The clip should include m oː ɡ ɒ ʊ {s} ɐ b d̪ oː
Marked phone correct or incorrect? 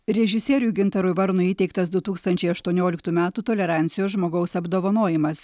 correct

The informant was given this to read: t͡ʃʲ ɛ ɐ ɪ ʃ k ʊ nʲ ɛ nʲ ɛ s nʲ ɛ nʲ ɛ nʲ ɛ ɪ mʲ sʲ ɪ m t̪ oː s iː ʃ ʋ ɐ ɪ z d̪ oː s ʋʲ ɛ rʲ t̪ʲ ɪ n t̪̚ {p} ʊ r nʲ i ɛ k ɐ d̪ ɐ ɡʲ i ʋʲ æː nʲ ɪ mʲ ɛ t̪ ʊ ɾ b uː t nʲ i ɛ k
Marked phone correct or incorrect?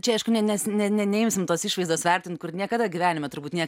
incorrect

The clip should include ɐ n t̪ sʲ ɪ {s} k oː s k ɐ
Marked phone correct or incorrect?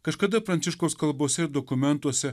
incorrect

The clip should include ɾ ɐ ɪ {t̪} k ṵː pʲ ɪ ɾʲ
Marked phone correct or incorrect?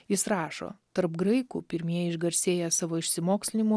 incorrect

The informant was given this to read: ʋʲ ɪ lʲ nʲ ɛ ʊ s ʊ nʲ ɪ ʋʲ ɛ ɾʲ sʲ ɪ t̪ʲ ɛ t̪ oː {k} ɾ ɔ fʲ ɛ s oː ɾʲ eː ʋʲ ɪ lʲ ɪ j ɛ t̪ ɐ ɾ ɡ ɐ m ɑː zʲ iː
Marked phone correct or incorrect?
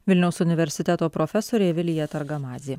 incorrect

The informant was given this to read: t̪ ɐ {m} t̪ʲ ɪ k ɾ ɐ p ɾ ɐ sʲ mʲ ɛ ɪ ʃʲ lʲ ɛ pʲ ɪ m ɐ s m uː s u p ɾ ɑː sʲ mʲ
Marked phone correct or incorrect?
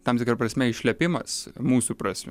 correct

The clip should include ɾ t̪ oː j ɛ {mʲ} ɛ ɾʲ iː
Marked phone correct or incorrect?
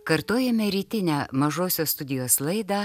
correct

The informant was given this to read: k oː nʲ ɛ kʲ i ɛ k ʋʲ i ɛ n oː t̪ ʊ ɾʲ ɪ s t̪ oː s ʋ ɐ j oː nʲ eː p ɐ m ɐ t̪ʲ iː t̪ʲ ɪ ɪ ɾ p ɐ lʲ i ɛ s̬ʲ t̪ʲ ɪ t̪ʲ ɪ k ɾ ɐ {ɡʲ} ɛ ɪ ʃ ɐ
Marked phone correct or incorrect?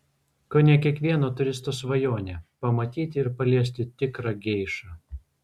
correct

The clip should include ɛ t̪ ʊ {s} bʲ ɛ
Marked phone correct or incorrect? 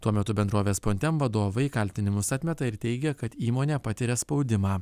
incorrect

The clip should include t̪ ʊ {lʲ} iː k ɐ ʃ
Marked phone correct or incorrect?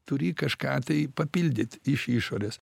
incorrect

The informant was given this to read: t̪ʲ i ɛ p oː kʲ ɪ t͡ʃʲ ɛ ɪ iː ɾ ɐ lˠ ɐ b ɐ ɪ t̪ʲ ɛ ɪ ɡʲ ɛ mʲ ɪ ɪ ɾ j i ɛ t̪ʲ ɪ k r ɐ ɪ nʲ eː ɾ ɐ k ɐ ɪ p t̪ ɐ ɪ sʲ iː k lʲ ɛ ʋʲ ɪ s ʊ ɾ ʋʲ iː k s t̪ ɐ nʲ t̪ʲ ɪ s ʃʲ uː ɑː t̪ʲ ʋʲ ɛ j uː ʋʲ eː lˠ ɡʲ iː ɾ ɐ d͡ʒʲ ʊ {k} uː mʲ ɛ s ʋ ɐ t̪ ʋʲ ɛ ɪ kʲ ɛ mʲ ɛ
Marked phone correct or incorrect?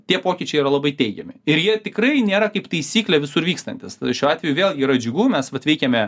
incorrect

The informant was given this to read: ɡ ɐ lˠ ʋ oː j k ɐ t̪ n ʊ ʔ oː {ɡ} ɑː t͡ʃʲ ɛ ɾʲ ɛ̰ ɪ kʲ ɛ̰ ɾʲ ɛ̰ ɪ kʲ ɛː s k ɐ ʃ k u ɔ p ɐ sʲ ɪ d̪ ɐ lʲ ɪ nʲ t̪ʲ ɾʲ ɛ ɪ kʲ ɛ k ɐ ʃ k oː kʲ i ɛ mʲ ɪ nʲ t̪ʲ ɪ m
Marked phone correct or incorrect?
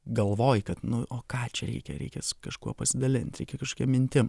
incorrect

